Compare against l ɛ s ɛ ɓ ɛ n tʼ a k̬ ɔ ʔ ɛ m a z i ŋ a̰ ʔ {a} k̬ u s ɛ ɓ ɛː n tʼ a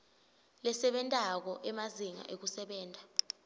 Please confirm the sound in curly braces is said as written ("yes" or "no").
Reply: no